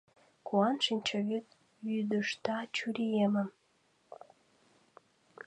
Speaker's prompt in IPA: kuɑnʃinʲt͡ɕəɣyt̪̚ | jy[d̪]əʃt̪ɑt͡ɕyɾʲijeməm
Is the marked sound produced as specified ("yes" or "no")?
yes